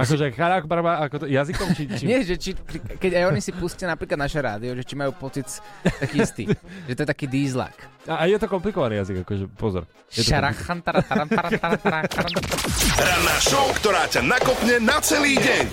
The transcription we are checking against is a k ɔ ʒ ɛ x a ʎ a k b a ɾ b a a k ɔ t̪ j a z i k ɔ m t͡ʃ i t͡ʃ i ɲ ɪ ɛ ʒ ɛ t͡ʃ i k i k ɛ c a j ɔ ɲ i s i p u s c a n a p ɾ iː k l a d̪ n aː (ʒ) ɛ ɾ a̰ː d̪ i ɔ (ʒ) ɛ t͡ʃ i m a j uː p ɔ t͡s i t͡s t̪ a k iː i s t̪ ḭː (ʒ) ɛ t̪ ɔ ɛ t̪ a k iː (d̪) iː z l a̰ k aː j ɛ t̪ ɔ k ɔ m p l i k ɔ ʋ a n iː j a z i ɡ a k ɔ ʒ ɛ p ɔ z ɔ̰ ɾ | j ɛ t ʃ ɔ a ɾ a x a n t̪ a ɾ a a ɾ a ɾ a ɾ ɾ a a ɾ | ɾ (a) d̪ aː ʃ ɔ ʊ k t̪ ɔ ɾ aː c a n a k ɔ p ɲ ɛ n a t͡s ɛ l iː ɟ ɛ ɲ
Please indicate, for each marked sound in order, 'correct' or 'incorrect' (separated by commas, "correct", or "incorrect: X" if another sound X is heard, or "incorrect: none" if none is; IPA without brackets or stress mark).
incorrect: ʃ, correct, correct, correct, correct